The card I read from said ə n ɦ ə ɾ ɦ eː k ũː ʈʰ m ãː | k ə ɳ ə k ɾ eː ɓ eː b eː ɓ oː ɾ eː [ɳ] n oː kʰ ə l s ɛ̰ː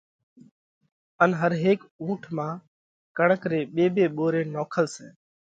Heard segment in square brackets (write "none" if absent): none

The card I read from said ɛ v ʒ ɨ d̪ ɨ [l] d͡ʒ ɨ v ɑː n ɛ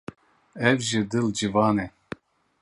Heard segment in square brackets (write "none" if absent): l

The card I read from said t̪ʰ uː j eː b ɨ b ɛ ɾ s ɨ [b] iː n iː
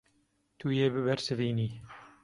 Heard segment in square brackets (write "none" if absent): v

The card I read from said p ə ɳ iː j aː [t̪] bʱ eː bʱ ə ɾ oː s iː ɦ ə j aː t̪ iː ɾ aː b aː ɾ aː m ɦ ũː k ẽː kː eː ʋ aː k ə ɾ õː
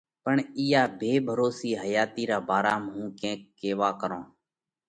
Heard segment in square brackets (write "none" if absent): none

